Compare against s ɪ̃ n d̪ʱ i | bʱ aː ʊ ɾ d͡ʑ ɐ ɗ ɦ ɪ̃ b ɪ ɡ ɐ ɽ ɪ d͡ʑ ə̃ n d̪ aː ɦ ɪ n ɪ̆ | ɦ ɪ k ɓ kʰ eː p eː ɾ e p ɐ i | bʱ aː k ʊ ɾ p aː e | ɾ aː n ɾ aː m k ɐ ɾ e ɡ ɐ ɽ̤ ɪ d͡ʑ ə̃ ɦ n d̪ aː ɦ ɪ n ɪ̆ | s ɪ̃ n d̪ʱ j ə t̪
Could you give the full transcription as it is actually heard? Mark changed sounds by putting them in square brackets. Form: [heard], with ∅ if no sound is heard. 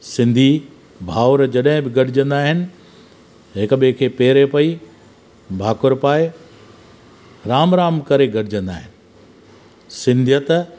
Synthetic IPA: s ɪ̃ n d̪ʱ i | bʱ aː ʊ ɾ d͡ʑ ɐ ɗ ɦ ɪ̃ b ɪ ɡ ɐ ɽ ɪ d͡ʑ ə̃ n d̪ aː ɦ ɪ n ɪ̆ | ɦ ɪ k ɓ kʰ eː p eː ɾ e p ɐ i | bʱ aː k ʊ ɾ p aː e | ɾ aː [m] ɾ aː m k ɐ ɾ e ɡ ɐ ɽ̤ ɪ d͡ʑ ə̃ [∅] n d̪ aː ɦ ɪ n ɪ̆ | s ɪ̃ n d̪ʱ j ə t̪

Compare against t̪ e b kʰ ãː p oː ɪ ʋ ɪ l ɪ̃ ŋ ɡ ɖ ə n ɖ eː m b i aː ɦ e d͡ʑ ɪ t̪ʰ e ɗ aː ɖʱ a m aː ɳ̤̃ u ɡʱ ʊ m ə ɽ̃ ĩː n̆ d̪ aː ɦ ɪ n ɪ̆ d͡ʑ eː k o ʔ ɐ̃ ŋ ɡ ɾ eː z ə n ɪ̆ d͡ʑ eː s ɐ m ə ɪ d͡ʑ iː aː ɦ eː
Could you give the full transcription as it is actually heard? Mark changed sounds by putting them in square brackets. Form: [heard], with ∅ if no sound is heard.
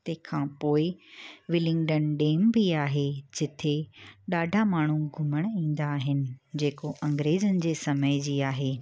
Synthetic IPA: t̪ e [∅] kʰ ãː p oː ɪ ʋ ɪ l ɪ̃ ŋ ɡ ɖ ə n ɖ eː m b i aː ɦ e d͡ʑ ɪ t̪ʰ e ɗ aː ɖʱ a m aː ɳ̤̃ u ɡʱ ʊ m ə ɽ̃ ĩː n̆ d̪ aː ɦ ɪ n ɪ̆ d͡ʑ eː k o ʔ ɐ̃ ŋ ɡ ɾ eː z ə n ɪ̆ d͡ʑ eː s ɐ m ə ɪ d͡ʑ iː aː ɦ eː

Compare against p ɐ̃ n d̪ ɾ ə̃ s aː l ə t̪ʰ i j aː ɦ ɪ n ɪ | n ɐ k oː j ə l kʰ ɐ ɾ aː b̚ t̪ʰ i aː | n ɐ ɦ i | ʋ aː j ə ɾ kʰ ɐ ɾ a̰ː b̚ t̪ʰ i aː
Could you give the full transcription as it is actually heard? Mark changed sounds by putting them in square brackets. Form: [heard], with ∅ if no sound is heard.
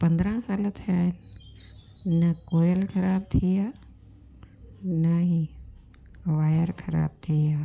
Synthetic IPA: p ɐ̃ n d̪ ɾ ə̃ s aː l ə t̪ʰ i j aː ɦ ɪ n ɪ | n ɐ k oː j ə l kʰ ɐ ɾ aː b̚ t̪ʰ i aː | n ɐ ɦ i | ʋ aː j ə ɾ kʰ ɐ ɾ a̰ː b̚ t̪ʰ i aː

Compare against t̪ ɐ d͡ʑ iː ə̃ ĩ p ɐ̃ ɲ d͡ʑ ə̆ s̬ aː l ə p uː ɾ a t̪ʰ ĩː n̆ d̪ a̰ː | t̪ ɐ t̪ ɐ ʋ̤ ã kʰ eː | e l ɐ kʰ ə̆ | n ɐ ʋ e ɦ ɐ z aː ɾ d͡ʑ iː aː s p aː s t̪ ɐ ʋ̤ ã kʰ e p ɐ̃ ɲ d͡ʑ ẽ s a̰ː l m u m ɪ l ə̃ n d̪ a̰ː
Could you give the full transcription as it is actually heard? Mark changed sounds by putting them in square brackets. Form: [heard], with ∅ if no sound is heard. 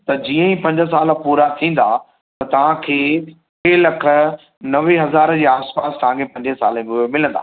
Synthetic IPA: t̪ ɐ d͡ʑ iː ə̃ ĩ p ɐ̃ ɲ d͡ʑ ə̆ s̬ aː l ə p uː ɾ a t̪ʰ ĩː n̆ d̪ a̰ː | t̪ ɐ t̪ ɐ ʋ̤ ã kʰ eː | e l ɐ kʰ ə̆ | n ɐ ʋ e ɦ ɐ z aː ɾ d͡ʑ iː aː s p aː s t̪ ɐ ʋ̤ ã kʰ e p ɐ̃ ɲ d͡ʑ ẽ s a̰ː l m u m ɪ l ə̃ n d̪ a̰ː

